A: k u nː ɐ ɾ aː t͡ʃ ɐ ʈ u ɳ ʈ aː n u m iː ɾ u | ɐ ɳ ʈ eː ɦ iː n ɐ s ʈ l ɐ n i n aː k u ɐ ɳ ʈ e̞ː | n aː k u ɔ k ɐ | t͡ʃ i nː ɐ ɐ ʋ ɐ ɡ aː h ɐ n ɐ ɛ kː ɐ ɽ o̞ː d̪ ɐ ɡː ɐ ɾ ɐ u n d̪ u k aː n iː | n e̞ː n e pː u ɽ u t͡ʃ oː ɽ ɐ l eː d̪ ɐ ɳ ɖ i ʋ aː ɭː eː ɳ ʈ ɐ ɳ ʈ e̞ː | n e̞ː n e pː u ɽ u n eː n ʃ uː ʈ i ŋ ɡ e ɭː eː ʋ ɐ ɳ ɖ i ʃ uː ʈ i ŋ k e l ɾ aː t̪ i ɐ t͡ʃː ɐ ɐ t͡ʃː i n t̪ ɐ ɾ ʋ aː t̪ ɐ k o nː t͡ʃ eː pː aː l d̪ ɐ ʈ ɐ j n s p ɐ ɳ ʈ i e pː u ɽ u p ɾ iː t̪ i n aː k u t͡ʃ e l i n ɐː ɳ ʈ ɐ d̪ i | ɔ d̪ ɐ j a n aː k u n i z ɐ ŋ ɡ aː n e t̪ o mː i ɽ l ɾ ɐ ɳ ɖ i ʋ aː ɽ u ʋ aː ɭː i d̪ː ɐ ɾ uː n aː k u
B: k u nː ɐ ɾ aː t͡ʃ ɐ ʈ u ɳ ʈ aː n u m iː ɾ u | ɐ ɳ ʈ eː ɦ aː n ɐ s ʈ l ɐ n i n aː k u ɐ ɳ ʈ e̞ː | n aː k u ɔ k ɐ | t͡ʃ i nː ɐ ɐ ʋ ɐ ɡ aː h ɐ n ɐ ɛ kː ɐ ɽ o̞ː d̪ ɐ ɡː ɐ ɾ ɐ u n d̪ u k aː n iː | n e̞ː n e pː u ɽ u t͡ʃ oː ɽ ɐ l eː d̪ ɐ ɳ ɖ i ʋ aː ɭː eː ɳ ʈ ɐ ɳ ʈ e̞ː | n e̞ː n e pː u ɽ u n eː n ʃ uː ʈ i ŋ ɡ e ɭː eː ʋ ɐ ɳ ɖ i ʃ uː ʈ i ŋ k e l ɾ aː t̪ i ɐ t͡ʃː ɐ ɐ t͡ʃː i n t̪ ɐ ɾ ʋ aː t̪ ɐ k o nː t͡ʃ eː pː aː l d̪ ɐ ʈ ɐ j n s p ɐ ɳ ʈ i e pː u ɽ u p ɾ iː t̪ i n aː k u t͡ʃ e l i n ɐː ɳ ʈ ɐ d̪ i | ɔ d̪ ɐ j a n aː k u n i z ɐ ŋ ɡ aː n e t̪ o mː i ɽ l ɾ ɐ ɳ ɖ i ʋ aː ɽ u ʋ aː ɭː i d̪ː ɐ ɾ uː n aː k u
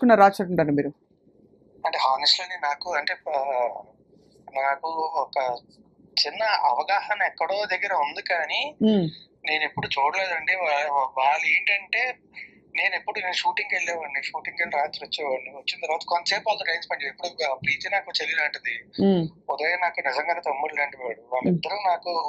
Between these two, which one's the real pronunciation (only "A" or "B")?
B